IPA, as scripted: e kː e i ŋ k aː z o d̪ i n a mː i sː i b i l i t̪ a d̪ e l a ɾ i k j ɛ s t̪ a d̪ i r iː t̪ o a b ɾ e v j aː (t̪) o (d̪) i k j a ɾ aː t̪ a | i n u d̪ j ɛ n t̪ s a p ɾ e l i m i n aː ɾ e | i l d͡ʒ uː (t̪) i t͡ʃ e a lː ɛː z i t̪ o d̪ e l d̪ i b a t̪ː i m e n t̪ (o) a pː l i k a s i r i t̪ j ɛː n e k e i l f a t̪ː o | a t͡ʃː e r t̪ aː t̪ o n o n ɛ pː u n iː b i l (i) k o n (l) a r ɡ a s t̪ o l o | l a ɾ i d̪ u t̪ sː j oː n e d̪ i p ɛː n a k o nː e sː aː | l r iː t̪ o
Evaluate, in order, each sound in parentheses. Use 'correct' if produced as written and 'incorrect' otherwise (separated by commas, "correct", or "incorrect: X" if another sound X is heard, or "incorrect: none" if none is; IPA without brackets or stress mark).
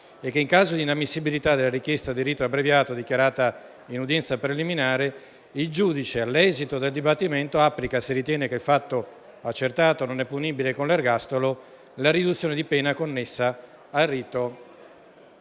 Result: correct, correct, incorrect: d̪, correct, incorrect: e, correct